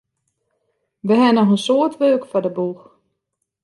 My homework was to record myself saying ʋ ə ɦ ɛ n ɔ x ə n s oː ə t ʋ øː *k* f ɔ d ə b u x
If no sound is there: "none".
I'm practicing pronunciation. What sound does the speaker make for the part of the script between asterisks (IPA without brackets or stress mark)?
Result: k